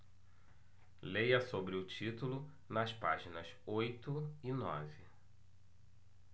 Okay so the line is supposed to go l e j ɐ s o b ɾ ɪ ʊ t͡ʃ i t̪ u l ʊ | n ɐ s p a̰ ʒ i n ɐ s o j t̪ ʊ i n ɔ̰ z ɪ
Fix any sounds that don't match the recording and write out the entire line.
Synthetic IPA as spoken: l e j ɐ s o b ɾ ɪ ʊ t͡ʃ i t̪ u l ʊ | n ɐ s p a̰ ʒ i n ɐ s o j t̪ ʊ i n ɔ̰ v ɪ